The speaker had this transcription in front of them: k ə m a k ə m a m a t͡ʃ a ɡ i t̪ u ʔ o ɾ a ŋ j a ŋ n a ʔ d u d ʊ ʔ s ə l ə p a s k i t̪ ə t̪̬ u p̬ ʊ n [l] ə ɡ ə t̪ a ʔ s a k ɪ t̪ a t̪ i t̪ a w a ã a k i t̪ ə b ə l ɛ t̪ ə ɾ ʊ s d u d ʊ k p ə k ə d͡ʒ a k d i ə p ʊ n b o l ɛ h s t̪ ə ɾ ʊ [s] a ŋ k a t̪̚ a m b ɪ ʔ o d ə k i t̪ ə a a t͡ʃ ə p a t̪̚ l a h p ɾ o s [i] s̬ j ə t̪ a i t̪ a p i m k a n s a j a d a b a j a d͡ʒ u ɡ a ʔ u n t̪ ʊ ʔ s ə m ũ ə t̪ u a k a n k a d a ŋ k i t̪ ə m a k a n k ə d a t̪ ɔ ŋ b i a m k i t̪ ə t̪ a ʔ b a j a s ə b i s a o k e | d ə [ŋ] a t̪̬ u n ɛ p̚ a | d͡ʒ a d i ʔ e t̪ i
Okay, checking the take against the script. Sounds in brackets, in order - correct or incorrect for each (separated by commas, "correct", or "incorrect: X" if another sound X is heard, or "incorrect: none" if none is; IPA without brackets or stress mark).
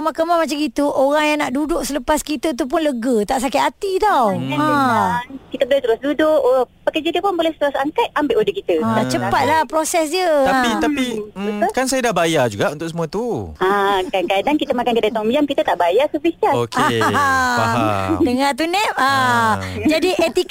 correct, correct, incorrect: ɛ, correct